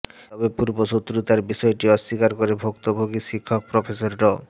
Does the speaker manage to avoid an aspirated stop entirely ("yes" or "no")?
no